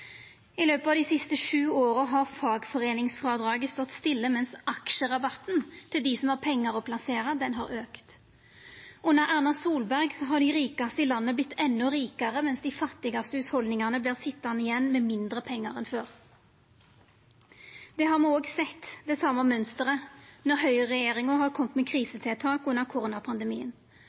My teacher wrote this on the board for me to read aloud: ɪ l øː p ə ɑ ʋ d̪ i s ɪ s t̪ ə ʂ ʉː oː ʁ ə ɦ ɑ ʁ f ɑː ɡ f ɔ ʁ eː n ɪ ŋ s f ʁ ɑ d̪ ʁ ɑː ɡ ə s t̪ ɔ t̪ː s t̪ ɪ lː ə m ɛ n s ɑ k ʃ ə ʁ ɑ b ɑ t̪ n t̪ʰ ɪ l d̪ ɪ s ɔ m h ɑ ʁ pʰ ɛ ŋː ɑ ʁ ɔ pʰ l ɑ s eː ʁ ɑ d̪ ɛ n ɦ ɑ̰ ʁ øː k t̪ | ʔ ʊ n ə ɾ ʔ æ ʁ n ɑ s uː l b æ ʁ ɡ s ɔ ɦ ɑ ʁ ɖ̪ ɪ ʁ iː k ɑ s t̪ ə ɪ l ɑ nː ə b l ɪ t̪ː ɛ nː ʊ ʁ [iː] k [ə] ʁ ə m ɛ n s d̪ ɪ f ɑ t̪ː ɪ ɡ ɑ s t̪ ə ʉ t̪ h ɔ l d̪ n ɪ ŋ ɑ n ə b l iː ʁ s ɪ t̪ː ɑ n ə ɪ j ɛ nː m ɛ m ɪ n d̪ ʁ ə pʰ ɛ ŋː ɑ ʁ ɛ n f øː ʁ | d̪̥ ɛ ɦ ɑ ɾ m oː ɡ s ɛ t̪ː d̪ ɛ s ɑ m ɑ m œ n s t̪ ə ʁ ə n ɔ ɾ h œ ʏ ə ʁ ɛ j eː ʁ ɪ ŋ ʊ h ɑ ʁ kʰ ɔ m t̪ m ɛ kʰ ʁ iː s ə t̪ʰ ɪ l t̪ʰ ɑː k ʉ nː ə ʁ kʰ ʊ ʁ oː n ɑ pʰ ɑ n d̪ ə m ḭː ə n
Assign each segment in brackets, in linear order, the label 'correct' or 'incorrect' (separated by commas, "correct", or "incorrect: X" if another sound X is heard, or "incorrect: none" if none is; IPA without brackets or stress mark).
correct, incorrect: ɑ